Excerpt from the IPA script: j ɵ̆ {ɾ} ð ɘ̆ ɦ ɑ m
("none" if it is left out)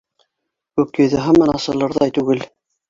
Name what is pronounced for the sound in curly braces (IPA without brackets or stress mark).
none